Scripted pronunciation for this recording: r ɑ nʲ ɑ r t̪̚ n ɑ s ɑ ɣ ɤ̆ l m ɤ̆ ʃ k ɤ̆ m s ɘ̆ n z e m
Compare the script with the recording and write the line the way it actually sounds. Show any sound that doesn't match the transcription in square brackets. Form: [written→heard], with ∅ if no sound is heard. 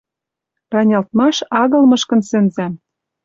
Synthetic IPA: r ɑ nʲ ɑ [r→l] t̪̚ [n→m] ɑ [s→ʃ] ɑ ɣ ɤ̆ l m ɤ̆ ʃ k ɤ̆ [m→n] s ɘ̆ n z [e→æ] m